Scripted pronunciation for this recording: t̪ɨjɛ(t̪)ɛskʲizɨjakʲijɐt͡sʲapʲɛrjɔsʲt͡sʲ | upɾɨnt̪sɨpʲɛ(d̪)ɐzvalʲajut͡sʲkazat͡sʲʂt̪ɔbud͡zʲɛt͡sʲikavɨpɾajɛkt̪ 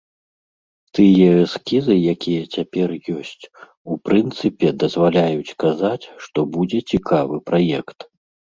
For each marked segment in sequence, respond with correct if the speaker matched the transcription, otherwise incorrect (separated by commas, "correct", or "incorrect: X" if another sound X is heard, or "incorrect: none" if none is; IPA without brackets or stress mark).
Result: incorrect: none, correct